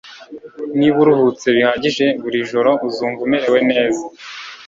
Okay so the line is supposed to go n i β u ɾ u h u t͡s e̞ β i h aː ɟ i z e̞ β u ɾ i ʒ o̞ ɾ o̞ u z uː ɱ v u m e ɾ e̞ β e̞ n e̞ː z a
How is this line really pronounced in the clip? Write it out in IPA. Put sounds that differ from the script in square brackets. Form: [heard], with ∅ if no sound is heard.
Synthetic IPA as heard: n i β u ɾ u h u t͡s e̞ β i h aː ɟ i [ʒ] e̞ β u ɾ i ʒ o̞ ɾ o̞ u z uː ɱ v u m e ɾ e̞ [w] e̞ n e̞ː z a